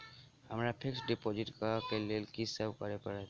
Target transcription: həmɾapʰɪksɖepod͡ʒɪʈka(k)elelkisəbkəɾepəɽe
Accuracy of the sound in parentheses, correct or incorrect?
correct